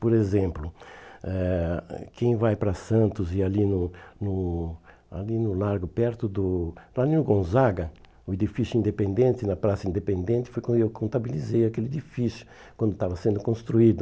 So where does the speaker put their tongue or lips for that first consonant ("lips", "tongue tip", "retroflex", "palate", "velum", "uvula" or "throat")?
lips